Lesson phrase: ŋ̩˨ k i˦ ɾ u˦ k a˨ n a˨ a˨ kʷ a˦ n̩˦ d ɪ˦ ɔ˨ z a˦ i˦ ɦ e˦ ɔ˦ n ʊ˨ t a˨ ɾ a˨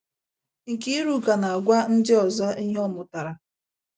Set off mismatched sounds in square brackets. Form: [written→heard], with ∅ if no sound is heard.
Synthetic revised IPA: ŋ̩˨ k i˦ ɾ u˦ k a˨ n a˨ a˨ [kʷ→ɡʷ] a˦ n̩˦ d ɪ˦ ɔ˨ z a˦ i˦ ɦ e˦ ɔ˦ [n→m] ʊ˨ t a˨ ɾ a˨